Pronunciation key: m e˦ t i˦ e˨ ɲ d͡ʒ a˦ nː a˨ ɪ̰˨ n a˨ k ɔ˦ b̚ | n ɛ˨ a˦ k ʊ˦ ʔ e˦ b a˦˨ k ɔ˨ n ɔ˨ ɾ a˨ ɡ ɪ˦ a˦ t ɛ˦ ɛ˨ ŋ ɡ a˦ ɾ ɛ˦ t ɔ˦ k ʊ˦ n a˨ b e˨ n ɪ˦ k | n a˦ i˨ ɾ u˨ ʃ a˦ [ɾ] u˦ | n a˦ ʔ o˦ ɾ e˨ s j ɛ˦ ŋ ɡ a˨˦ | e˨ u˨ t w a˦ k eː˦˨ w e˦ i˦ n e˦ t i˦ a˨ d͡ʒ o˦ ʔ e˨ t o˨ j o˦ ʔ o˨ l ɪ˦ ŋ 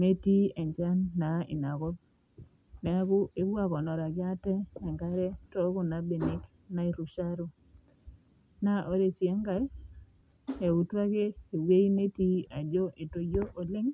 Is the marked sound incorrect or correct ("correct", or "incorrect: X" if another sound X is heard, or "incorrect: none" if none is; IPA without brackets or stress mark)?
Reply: correct